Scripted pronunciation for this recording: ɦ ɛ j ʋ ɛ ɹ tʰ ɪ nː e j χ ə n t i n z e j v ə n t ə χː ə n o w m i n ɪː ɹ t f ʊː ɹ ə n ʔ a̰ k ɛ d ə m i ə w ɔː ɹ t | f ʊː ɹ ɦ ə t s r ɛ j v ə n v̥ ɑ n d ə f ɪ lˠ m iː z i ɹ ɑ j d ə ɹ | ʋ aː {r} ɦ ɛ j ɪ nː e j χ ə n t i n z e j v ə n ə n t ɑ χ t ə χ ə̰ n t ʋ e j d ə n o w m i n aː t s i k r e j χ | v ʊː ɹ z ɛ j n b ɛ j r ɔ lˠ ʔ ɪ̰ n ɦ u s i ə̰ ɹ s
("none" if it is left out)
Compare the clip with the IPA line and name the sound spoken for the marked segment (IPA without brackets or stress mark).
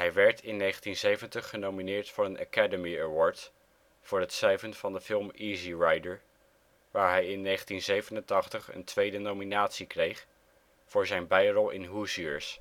ɹ